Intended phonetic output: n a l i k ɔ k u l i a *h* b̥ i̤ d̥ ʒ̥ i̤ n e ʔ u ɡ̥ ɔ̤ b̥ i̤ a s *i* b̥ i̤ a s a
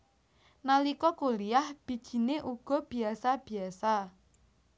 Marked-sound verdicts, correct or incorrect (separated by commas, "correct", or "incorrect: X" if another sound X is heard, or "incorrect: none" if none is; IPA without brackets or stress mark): correct, incorrect: a